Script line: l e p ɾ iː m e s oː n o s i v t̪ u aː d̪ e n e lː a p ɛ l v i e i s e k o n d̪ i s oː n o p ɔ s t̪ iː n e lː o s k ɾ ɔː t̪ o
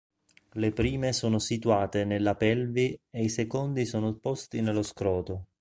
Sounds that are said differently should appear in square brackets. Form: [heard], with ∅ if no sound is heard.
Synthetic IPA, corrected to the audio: l e p ɾ iː m e s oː n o s i [∅] t̪ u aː [t̪] e n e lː a p ɛ l v i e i s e k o n d̪ i s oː n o p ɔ s t̪ [i] n e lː o s k ɾ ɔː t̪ o